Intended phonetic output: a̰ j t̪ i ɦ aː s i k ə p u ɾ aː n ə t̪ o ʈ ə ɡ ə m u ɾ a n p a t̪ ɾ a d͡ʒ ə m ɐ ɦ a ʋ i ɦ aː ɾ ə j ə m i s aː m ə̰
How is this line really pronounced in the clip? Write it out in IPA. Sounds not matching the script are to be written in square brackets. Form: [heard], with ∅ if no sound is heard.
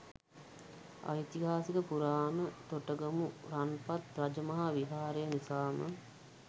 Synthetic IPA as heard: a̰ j t̪ i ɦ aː s i k ə p u ɾ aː n ə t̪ o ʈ ə ɡ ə m u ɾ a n p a t̪ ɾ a d͡ʒ ə m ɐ ɦ a ʋ i ɦ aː ɾ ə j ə [n] i s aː m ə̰